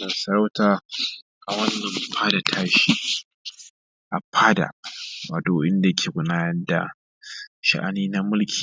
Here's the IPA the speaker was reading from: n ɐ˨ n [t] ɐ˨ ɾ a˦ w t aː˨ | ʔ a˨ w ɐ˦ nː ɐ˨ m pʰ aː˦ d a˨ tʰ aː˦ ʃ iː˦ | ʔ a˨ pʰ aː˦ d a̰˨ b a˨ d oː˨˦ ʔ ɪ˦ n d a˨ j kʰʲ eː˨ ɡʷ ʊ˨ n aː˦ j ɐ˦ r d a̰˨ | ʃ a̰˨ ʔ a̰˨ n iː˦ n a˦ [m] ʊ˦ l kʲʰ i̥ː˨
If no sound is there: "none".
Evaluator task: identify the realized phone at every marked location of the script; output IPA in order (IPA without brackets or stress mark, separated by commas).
s, m